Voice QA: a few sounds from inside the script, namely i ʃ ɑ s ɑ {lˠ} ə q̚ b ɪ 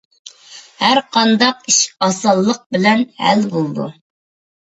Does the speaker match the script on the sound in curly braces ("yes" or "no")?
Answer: no